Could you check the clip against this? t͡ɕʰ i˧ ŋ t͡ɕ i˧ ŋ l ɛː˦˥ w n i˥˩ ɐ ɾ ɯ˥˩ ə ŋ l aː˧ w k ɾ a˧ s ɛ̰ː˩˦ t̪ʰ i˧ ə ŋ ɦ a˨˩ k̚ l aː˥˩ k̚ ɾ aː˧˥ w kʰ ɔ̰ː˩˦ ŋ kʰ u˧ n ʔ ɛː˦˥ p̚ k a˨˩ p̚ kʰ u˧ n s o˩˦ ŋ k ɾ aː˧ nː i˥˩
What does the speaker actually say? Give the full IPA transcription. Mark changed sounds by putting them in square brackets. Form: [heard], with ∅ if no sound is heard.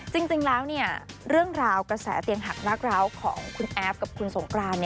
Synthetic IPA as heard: [t͡ɕ] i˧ ŋ t͡ɕ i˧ ŋ l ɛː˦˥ w n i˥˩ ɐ ɾ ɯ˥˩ ə ŋ [ɾ] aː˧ w k ɾ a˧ s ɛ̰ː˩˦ [t̪] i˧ ə ŋ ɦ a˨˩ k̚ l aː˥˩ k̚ ɾ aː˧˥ w kʰ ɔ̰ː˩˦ ŋ kʰ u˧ n ʔ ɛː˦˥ p̚ k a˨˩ p̚ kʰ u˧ n s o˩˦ ŋ k ɾ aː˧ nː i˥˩